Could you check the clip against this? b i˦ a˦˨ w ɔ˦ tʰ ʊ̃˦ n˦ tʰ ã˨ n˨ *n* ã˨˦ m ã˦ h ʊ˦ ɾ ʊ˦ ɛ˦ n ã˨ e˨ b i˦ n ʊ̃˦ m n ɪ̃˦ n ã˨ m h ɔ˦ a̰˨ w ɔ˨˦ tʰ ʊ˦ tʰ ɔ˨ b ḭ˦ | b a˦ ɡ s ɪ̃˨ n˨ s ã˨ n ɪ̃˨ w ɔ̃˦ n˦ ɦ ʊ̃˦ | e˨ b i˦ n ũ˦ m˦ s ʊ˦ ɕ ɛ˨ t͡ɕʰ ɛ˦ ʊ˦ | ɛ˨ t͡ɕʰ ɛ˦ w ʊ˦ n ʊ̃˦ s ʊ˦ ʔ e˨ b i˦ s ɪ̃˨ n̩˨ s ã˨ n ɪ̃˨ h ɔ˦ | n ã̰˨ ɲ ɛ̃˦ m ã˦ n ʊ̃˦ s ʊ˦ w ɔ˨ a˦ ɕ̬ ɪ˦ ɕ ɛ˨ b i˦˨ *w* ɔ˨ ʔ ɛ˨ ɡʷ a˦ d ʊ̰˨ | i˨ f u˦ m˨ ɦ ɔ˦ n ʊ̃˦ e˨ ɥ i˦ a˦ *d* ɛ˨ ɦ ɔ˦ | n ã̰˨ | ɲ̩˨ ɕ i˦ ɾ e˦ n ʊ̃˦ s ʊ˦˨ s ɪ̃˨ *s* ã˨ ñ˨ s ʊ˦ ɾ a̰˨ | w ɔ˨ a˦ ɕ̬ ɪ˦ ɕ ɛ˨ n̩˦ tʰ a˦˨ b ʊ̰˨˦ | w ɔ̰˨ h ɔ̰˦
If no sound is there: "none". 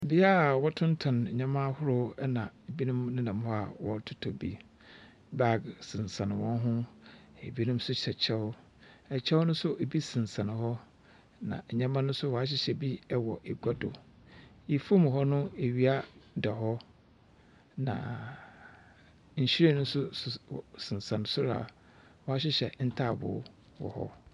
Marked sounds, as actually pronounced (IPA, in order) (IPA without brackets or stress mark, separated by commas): ɲ, w, d, s